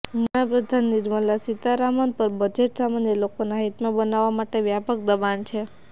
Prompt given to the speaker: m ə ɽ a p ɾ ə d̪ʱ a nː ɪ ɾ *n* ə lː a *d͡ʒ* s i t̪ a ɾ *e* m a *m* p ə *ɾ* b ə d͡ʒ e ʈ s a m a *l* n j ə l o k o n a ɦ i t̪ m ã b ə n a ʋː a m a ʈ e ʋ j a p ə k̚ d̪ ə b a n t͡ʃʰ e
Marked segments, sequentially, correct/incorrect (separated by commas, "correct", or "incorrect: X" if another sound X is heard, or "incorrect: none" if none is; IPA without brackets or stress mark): incorrect: m, incorrect: none, incorrect: a, incorrect: n, correct, incorrect: none